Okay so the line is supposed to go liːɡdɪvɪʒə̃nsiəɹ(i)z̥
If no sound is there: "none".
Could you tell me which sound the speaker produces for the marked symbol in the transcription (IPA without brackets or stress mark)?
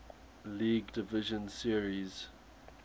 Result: i